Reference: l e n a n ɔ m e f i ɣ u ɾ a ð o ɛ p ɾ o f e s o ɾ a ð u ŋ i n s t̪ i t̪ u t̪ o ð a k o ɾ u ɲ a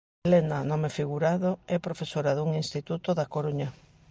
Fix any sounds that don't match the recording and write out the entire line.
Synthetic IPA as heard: l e n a n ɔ m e f i ɣ u ɾ a ð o ɛ p ɾ o f e s o ɾ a ð u ŋ i n s t̪ i t̪ u t̪ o ð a k o ɾ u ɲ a